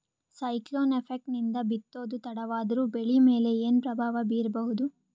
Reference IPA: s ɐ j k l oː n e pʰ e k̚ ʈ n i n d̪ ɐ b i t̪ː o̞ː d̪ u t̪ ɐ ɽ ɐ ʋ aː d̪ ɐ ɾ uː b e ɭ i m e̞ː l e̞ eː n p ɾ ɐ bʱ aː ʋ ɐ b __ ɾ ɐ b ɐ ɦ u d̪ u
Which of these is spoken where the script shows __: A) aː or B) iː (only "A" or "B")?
B